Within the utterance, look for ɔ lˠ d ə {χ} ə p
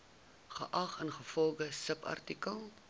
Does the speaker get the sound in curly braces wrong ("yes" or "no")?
yes